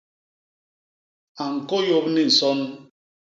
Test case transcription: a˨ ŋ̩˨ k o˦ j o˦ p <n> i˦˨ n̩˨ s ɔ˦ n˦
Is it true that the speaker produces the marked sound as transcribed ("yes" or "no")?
yes